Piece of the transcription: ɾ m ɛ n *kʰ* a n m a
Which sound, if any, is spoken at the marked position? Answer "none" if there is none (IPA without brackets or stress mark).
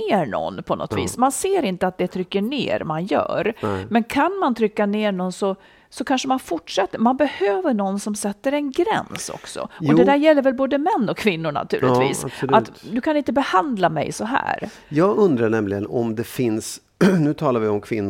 kʰ